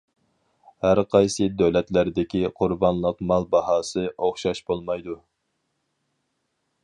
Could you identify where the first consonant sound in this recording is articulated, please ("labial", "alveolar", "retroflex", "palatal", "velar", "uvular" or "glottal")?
glottal